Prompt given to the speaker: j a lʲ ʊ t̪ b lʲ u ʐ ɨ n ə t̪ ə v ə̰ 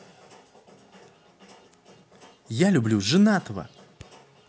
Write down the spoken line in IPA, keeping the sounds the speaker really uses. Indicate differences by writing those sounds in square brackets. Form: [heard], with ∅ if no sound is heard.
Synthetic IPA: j a lʲ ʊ [∅] b lʲ u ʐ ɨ n [a] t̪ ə v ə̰